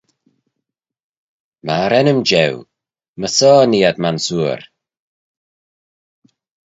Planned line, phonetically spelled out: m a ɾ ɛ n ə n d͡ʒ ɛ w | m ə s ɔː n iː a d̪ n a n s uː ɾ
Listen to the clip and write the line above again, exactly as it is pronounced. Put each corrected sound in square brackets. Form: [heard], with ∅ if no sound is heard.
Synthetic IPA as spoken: m a ɾ ɛ n ə [m] d͡ʒ ɛ w | m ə s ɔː n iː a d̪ [m] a n s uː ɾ